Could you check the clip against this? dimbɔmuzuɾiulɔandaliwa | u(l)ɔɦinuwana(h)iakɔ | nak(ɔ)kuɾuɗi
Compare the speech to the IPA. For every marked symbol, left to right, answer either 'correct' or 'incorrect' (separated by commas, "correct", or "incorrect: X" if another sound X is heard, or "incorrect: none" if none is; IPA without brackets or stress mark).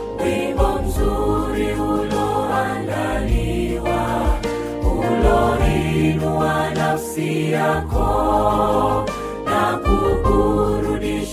correct, incorrect: s, incorrect: u